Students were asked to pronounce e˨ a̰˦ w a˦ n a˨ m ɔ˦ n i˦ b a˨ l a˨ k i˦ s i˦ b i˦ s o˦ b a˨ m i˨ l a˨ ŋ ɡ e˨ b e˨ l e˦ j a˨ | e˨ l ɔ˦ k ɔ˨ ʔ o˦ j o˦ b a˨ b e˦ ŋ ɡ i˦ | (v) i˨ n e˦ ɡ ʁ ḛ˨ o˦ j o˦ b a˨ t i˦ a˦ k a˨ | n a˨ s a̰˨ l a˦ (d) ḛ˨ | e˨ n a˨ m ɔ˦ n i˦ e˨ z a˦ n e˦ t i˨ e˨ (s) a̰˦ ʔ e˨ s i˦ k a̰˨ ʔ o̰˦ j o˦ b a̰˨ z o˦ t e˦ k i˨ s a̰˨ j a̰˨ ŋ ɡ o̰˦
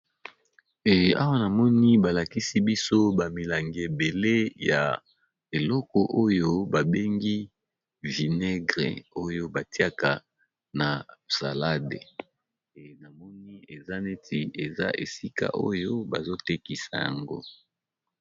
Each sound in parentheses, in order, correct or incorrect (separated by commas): correct, correct, incorrect